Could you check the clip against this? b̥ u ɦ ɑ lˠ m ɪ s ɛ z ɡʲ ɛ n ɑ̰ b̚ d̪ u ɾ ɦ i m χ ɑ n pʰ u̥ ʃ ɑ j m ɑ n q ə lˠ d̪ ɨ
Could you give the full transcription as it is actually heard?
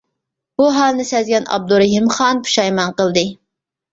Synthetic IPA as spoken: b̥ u ɦ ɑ lˠ n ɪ s ɛ z ɡʲ ɛ n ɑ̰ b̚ d̪ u ɾ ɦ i m χ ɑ n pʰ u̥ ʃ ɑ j m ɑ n q ə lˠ d̪ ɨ